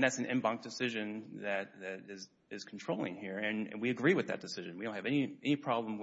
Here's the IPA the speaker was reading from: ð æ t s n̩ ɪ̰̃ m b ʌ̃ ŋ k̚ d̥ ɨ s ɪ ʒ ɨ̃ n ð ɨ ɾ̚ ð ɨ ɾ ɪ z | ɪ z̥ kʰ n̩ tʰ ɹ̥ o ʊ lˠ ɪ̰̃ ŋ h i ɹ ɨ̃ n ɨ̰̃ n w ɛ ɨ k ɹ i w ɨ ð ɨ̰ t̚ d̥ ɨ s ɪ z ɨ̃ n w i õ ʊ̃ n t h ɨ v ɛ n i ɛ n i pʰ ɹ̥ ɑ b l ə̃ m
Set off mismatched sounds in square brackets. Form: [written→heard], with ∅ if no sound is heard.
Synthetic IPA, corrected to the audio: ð æ t s n̩ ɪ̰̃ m b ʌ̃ ŋ k̚ d̥ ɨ s ɪ ʒ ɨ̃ n ð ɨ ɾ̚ ð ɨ ɾ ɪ z | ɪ z̥ kʰ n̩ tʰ ɹ̥ o ʊ lˠ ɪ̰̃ ŋ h i ɹ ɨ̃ n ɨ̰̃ n w [ɛ→i] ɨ [k→ɡ] ɹ i w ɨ ð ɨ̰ t̚ d̥ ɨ s ɪ [z→ʒ] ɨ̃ n w i õ ʊ̃ n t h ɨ v ɛ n i ɛ n i pʰ ɹ̥ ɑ b l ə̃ m